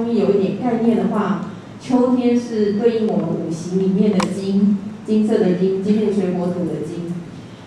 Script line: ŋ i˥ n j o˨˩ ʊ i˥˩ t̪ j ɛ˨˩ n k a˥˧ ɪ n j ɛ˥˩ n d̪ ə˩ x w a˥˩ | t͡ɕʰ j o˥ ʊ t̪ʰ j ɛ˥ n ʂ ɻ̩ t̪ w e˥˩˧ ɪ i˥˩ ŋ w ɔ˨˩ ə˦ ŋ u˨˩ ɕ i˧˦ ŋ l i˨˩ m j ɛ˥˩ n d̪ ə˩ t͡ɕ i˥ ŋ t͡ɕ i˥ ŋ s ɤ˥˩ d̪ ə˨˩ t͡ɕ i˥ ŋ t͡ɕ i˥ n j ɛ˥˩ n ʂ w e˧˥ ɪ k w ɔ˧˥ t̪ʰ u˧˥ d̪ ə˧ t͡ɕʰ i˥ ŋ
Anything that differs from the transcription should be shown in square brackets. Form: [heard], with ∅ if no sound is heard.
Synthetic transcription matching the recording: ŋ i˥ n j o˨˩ ʊ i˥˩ t̪ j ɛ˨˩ n k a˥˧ ɪ n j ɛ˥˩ n d̪ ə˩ x w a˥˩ | t͡ɕʰ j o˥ ʊ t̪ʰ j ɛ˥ n ʂ ɻ̩ t̪ w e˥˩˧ ɪ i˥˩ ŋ w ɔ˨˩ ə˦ [n] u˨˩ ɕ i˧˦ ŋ l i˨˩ m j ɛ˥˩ n d̪ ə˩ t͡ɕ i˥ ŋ t͡ɕ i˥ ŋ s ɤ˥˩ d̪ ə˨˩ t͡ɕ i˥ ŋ t͡ɕ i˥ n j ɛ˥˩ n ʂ w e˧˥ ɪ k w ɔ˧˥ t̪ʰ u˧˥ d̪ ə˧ [t͡ɕ] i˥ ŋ

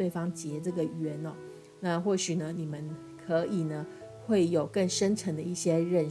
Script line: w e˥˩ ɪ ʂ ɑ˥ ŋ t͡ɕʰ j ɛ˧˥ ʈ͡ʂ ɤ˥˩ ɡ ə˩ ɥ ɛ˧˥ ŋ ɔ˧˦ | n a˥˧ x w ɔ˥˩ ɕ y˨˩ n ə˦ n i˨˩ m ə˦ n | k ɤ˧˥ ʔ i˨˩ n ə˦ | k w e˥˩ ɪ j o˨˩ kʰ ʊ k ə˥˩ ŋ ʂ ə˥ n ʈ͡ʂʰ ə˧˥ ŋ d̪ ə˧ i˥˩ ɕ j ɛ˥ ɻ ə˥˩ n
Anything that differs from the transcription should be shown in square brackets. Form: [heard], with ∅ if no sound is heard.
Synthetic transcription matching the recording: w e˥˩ ɪ [f] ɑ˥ ŋ [t͡ɕ] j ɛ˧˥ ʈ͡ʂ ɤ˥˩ ɡ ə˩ ɥ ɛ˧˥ [n] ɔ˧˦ | n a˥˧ x w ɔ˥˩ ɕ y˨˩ n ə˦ n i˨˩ m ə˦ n | [kʰ] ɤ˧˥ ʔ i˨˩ n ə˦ | [x] w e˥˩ ɪ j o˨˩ [∅] ʊ k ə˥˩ ŋ ʂ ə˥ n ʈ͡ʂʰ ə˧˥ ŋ d̪ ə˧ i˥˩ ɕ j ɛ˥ ɻ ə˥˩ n

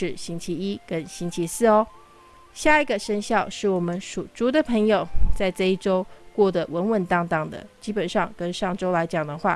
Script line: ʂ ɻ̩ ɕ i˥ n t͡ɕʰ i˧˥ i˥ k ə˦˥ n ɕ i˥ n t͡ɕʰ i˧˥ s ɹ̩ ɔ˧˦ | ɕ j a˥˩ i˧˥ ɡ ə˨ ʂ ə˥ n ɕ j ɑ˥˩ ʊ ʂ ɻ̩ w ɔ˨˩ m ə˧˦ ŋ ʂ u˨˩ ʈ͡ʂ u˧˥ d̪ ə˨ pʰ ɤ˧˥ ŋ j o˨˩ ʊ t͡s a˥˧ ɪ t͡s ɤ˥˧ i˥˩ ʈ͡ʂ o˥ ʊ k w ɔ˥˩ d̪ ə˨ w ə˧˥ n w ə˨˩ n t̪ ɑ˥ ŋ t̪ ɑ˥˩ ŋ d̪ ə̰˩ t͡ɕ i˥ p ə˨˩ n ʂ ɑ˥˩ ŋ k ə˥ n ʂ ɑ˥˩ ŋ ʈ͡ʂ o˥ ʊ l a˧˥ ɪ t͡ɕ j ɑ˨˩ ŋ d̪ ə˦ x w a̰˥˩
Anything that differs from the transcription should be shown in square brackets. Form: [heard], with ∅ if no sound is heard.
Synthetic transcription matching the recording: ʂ ɻ̩ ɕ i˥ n t͡ɕʰ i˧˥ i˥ k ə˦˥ n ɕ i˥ n t͡ɕʰ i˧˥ s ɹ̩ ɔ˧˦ | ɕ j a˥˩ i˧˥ ɡ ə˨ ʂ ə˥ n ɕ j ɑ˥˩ ʊ ʂ ɻ̩ w ɔ˨˩ m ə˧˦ [n] ʂ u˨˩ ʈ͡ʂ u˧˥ d̪ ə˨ pʰ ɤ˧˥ ŋ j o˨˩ ʊ t͡s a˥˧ ɪ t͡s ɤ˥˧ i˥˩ ʈ͡ʂ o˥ ʊ k w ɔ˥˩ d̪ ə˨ w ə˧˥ n w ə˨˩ n t̪ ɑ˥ ŋ t̪ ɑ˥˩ ŋ d̪ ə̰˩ t͡ɕ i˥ p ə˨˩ n ʂ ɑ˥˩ ŋ k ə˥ n ʂ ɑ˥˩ ŋ ʈ͡ʂ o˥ ʊ l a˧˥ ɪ t͡ɕ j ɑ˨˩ ŋ d̪ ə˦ x w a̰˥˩

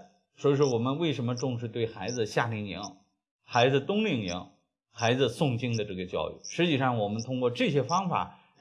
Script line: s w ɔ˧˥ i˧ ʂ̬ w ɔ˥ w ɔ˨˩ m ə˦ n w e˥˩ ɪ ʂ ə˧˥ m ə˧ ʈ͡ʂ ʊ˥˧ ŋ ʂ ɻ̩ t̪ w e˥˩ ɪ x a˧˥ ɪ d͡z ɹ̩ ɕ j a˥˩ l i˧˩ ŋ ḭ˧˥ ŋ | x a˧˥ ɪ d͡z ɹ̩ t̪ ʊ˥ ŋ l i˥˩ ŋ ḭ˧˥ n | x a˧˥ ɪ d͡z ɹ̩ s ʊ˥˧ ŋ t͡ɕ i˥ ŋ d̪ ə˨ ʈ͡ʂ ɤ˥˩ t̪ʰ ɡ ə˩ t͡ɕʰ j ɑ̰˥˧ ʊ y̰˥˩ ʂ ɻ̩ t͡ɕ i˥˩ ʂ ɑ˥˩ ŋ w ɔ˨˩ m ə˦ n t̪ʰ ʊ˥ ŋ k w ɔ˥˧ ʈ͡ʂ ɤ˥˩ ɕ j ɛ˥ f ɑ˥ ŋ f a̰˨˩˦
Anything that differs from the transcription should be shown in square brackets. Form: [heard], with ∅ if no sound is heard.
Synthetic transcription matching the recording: s w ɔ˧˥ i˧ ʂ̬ w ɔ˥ w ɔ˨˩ m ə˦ n w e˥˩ ɪ ʂ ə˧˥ m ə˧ ʈ͡ʂ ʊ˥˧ ŋ ʂ ɻ̩ t̪ w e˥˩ ɪ x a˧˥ ɪ d͡z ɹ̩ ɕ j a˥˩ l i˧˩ ŋ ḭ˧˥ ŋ | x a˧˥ ɪ d͡z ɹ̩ t̪ ʊ˥ ŋ l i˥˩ ŋ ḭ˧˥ [ŋ] | x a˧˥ ɪ d͡z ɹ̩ s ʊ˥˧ ŋ t͡ɕ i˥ ŋ d̪ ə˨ ʈ͡ʂ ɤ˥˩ [∅] ɡ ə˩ [t͡ɕ] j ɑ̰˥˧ ʊ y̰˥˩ ʂ ɻ̩ t͡ɕ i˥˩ ʂ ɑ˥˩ ŋ w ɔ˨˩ m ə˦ n t̪ʰ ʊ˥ ŋ k w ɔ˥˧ ʈ͡ʂ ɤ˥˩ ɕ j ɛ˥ f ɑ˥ ŋ f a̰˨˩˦

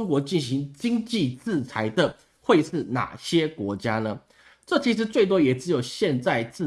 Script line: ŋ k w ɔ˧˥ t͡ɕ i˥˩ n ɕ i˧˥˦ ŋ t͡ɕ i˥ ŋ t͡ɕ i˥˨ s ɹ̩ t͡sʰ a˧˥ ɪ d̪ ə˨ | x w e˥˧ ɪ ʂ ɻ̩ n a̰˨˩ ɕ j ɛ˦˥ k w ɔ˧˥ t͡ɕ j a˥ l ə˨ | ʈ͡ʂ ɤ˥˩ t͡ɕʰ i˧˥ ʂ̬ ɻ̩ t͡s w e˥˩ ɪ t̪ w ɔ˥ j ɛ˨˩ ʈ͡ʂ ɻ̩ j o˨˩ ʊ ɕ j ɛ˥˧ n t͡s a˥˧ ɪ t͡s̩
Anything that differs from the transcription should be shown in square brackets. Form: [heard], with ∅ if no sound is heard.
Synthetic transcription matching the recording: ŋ k w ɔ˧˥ t͡ɕ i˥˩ n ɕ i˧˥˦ ŋ t͡ɕ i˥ ŋ t͡ɕ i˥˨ [t͡s] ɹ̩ t͡sʰ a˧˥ ɪ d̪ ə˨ | x w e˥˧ ɪ ʂ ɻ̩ n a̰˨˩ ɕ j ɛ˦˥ k w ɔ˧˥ t͡ɕ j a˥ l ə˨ | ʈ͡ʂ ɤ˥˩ t͡ɕʰ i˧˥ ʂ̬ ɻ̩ t͡s w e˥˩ ɪ t̪ w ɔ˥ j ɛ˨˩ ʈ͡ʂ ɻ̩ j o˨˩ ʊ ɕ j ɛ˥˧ n t͡s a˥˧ ɪ t͡s̩

